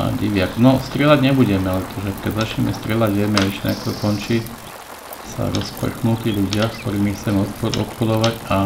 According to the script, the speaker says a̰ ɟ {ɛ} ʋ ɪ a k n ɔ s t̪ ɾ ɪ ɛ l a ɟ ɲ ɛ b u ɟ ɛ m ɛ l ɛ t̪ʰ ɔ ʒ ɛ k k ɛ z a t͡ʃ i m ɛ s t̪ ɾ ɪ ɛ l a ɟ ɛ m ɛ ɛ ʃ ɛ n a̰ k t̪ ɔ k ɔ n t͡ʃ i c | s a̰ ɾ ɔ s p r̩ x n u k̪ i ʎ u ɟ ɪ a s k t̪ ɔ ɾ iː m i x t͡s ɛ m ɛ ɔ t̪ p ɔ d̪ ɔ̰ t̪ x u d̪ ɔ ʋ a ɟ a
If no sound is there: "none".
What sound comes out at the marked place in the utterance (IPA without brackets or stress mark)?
i